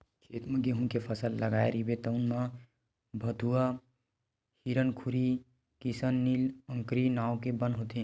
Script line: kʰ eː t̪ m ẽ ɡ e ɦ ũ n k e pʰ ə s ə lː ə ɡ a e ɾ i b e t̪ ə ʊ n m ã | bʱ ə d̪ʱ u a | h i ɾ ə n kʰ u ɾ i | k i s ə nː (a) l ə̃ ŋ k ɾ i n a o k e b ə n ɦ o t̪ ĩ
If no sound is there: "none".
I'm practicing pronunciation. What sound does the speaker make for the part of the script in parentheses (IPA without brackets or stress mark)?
i